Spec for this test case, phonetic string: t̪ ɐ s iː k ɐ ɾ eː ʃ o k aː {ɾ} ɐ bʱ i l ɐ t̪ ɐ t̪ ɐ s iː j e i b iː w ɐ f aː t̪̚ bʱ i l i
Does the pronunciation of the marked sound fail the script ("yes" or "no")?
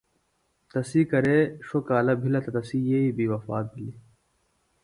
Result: yes